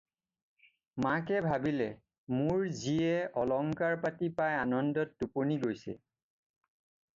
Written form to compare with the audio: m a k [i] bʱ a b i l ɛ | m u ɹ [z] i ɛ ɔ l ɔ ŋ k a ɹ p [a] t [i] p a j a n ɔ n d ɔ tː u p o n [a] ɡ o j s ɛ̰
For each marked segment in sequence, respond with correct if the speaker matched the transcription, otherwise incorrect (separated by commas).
incorrect, correct, correct, correct, incorrect